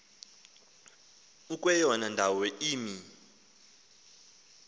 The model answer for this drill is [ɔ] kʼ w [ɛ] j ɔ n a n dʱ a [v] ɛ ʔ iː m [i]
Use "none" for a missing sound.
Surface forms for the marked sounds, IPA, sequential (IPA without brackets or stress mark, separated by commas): u, ɛ, w, i